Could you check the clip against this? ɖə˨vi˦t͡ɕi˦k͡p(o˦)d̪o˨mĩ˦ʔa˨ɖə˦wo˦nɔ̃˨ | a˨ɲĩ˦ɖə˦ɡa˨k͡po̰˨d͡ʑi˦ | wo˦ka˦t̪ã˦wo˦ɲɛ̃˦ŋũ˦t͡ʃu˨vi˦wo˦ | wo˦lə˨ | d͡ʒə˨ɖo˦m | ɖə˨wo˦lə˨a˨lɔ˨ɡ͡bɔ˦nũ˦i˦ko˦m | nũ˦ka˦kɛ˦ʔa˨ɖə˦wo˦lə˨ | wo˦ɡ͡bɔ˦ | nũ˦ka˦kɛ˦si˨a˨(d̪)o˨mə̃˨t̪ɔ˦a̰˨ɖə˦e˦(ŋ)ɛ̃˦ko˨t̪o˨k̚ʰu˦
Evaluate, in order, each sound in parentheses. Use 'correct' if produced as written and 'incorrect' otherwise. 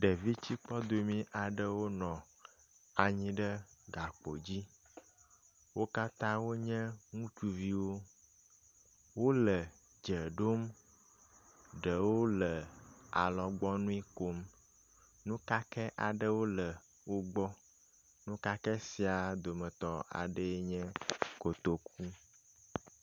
incorrect, correct, incorrect

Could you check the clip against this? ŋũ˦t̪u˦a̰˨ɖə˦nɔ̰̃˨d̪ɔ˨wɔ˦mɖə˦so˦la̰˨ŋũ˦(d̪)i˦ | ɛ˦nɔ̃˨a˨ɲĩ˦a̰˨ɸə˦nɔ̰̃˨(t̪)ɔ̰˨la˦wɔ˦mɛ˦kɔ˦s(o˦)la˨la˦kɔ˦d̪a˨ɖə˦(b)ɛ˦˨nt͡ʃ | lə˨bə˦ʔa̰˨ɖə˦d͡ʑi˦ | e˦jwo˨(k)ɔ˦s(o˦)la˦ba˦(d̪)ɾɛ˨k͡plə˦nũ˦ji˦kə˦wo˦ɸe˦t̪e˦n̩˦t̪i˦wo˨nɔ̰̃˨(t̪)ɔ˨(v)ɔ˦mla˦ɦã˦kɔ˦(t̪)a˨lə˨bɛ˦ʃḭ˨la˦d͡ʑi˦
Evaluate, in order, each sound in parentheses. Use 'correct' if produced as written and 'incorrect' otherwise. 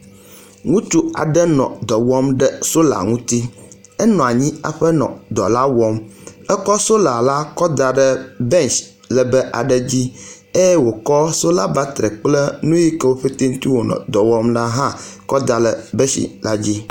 incorrect, incorrect, correct, correct, correct, correct, incorrect, incorrect, incorrect, incorrect

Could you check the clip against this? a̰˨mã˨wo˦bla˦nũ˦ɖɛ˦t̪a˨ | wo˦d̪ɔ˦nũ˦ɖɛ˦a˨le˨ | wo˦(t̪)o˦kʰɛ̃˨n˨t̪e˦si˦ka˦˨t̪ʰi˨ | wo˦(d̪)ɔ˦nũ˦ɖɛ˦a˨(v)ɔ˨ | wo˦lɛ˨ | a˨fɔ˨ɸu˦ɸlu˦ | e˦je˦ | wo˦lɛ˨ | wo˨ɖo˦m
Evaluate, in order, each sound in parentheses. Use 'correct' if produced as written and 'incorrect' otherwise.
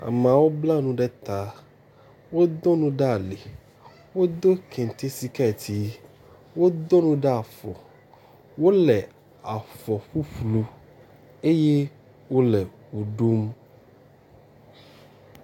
incorrect, correct, incorrect

